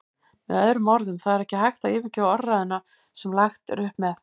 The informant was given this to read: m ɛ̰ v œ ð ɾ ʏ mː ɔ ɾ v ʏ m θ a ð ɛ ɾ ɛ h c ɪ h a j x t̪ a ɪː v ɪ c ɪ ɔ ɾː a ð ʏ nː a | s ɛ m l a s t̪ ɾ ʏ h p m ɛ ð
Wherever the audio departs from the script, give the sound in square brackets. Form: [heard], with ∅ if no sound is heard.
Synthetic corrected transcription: m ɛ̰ [ð] œ ð ɾ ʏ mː ɔ ɾ [ð] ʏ m θ a ð ɛ ɾ ɛ h c ɪ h a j x t̪ a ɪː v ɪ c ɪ ɔ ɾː a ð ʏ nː a | s ɛ m l a [x] t̪ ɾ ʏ h p m ɛ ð